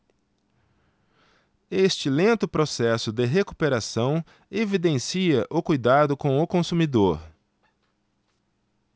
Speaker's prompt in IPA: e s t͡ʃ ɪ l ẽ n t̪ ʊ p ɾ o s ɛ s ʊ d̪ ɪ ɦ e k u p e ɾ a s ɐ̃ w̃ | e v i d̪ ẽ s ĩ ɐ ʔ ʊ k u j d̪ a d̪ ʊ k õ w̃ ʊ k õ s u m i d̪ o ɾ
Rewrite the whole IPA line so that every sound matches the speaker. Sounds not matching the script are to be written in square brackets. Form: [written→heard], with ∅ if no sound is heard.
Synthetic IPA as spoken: e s t͡ʃ ɪ l ẽ n t̪ ʊ p ɾ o s ɛ s ʊ d̪ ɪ ɦ e k u p e ɾ a s ɐ̃ w̃ | e v i d̪ ẽ s [ĩ→i] ɐ ʔ ʊ k u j d̪ a d̪ ʊ k õ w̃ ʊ k õ s u m i d̪ o ɾ

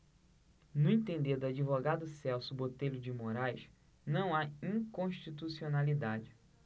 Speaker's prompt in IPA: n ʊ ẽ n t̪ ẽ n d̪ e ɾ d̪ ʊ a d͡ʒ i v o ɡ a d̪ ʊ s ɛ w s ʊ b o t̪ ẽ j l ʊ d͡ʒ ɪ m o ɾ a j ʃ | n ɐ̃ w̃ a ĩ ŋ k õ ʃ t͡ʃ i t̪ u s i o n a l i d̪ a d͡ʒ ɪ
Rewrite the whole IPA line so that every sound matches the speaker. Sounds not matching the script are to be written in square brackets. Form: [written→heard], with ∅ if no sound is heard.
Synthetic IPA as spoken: n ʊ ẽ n t̪ ẽ n d̪ e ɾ d̪ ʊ a d͡ʒ i v o ɡ a d̪ ʊ s ɛ w s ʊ b o t̪ [ẽ→e] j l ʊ d͡ʒ ɪ m o ɾ a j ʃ | n ɐ̃ w̃ a ĩ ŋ k õ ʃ t͡ʃ i t̪ u s i o n a l i d̪ a d͡ʒ ɪ

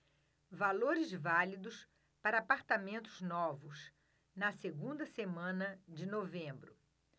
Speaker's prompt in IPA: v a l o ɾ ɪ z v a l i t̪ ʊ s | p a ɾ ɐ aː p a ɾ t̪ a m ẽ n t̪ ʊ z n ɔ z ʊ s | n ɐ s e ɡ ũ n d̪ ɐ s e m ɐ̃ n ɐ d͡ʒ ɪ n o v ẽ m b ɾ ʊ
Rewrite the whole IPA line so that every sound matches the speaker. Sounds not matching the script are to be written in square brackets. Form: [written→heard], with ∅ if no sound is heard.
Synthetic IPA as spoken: v a l o ɾ ɪ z v a l i [t̪→d̪] ʊ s | p a ɾ ɐ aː p a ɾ t̪ a m ẽ n t̪ ʊ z n ɔ [z→v] ʊ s | n ɐ s e ɡ ũ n d̪ ɐ s e m ɐ̃ n ɐ d͡ʒ ɪ n o v ẽ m b ɾ ʊ

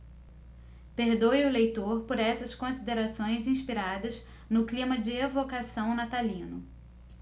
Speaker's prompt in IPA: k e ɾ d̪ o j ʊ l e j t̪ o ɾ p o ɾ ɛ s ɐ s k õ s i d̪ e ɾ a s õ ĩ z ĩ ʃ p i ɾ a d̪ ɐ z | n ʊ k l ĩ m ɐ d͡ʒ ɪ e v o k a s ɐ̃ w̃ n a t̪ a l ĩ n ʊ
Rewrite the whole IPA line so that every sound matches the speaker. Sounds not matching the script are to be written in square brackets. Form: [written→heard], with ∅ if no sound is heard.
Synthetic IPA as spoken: [k→p] e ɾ d̪ o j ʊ l e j t̪ o ɾ p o ɾ ɛ s ɐ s k õ s i d̪ e ɾ a s õ [ĩ→j̃] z ĩ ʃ p i ɾ a d̪ ɐ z | n ʊ k l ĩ m ɐ d͡ʒ ɪ e v o k a s ɐ̃ w̃ n a t̪ a l ĩ n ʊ

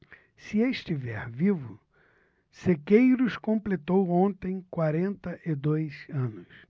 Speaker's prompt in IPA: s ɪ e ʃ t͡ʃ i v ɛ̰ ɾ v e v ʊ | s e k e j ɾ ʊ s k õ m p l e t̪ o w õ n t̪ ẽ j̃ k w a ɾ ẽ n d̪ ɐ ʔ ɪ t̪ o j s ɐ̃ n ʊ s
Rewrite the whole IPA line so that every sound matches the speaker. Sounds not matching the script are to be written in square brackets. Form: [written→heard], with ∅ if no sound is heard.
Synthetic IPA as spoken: s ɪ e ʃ t͡ʃ i v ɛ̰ ɾ v [e→i] v ʊ | s e k e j ɾ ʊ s k õ m p l e t̪ o w õ n t̪ ẽ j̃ k w a ɾ ẽ n [d̪→t̪] ɐ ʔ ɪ [t̪→d̪] o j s ɐ̃ n ʊ s

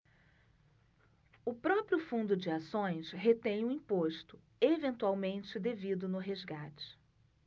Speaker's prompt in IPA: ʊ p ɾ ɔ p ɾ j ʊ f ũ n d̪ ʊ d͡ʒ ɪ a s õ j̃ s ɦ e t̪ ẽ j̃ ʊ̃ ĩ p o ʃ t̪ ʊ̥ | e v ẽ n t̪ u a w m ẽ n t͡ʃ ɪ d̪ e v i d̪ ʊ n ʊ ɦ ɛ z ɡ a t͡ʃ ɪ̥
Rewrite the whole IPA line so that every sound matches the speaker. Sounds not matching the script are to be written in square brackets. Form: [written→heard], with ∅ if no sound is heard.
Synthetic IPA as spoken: ʊ p ɾ ɔ p ɾ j ʊ f ũ n d̪ ʊ d͡ʒ ɪ a s õ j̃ s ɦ e t̪ ẽ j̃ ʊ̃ ĩ p o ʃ t̪ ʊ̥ | e v ẽ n t̪ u a w m ẽ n t͡ʃ ɪ d̪ e v i d̪ ʊ n ʊ ɦ [ɛ→e] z ɡ a t͡ʃ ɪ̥

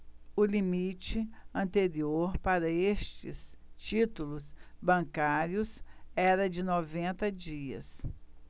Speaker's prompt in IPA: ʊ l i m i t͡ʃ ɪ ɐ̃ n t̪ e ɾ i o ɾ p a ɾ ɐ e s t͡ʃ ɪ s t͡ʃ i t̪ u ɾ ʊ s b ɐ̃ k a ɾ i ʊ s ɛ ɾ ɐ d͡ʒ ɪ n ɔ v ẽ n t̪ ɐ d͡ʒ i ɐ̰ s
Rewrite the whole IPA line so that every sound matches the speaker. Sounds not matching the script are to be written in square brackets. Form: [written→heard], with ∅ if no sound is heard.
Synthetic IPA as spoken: ʊ l i m i t͡ʃ ɪ ɐ̃ n t̪ e ɾ i o ɾ p a ɾ ɐ e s t͡ʃ ɪ s t͡ʃ i t̪ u [ɾ→l] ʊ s b ɐ̃ k a ɾ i ʊ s ɛ ɾ ɐ d͡ʒ ɪ n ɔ v ẽ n t̪ ɐ d͡ʒ i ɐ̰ s

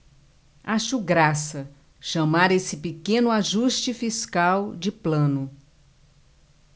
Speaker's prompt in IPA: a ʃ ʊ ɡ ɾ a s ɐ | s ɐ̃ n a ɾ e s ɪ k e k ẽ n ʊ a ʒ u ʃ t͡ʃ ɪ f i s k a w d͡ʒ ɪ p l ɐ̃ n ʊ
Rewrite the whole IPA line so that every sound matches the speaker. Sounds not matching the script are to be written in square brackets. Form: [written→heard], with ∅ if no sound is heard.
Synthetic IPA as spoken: a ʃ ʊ ɡ ɾ a s ɐ | [s→ʃ] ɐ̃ [n→m] a ɾ e s ɪ [k→p] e k ẽ n ʊ a ʒ u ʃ t͡ʃ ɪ f i s k a w d͡ʒ ɪ p l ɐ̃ n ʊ

